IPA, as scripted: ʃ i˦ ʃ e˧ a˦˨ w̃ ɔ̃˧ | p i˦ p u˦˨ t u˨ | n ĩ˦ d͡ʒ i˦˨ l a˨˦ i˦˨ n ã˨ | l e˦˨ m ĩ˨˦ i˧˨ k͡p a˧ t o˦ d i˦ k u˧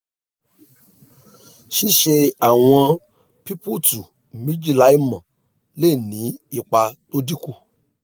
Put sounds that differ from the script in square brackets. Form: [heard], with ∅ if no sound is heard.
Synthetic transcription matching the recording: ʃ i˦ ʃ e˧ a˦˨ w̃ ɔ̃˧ | p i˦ p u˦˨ t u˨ | [m] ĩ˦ d͡ʒ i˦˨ l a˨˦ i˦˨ [m] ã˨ | l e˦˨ [n] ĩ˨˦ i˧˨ k͡p a˧ t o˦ d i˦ k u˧